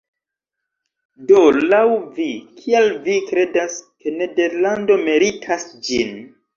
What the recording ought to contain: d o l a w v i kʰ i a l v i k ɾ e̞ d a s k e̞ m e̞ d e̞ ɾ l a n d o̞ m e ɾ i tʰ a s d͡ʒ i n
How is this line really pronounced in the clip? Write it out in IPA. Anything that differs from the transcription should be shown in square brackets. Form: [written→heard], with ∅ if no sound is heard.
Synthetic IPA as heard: d o l a w v i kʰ i a l v i k ɾ e̞ d a s k e̞ [m→n] e̞ d e̞ ɾ l a n d o̞ m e ɾ i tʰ a s d͡ʒ i n